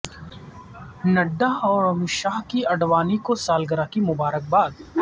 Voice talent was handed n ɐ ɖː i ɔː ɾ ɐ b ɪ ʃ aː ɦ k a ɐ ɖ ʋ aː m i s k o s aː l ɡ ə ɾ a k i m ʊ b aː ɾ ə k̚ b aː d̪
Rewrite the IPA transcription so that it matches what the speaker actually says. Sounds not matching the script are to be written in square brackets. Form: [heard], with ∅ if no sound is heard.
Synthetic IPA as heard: n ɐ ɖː [a] ɔː ɾ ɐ [m] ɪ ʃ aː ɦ k [i] ɐ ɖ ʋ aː [n] i [∅] k o s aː l ɡ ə ɾ a k i m ʊ b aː ɾ ə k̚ b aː d̪